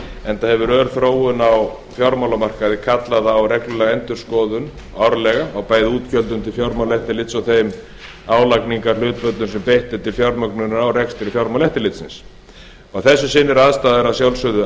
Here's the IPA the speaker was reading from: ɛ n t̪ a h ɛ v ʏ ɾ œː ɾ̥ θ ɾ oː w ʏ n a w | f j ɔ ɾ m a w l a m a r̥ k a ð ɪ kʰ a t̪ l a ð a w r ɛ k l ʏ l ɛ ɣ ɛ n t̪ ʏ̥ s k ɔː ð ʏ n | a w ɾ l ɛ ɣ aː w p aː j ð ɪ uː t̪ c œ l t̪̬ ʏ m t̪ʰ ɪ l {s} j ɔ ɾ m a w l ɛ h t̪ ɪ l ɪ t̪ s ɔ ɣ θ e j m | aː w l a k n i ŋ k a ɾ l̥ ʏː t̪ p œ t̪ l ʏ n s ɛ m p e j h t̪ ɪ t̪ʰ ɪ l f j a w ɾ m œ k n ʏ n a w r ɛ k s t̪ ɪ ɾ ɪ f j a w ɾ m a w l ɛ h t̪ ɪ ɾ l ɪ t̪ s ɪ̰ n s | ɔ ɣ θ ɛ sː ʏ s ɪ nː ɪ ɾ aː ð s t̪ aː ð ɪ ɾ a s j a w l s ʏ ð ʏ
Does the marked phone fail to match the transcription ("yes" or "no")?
yes